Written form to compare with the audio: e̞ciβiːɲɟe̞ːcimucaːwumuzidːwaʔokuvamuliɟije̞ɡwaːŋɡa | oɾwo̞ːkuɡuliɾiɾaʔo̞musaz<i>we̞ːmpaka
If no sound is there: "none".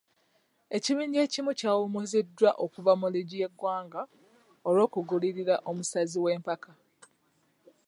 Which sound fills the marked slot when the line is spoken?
i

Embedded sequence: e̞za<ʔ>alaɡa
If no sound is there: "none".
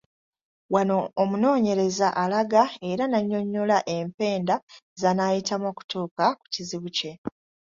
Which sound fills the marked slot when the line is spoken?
ʔ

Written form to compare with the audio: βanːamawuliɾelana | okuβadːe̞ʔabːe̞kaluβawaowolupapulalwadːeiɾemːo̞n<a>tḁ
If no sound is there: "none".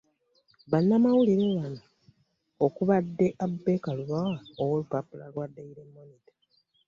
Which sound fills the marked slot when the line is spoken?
i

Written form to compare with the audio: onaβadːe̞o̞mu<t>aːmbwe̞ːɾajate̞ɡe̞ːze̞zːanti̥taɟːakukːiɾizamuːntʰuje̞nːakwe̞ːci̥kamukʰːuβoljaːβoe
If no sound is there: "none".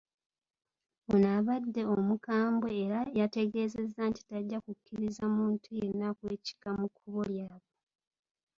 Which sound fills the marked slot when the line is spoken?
k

